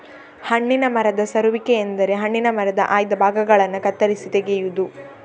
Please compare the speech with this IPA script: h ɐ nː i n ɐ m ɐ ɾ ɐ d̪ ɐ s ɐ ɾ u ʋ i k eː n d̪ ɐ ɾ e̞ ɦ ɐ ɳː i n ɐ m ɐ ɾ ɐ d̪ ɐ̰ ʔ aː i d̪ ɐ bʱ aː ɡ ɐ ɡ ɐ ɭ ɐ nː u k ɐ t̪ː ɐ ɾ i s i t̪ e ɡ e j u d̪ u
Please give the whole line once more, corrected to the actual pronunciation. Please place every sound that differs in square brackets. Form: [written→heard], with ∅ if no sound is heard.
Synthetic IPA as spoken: h ɐ [nː→ɳː] i n ɐ m ɐ ɾ ɐ d̪ ɐ s ɐ ɾ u ʋ i k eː n d̪ ɐ ɾ e̞ ɦ ɐ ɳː i n ɐ m ɐ ɾ ɐ d̪ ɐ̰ ʔ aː [i→j] d̪ ɐ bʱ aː ɡ ɐ ɡ ɐ ɭ ɐ nː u k ɐ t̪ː ɐ ɾ i s i t̪ e ɡ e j u d̪ u